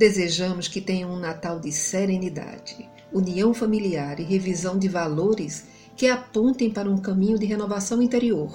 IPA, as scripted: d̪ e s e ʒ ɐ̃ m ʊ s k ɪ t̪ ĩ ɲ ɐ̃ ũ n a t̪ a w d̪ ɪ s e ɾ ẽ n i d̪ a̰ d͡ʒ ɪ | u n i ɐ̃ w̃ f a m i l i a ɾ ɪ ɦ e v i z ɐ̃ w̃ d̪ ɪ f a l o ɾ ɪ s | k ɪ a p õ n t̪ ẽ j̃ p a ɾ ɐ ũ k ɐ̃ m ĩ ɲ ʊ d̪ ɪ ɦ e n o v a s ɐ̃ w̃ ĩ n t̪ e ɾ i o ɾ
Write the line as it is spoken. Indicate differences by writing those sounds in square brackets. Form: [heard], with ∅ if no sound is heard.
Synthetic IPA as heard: d̪ e [z] e ʒ ɐ̃ m ʊ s k ɪ t̪ [ẽ] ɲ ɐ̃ ũ n a t̪ a w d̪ ɪ s e ɾ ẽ n i d̪ a̰ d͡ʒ ɪ | u n i ɐ̃ w̃ f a m i l i a ɾ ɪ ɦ e v i z ɐ̃ w̃ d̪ ɪ [v] a l o ɾ ɪ s | k ɪ a p õ n t̪ ẽ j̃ p a ɾ ɐ ũ k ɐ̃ m ĩ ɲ ʊ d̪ ɪ ɦ e n o v a s ɐ̃ w̃ ĩ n t̪ e ɾ i o ɾ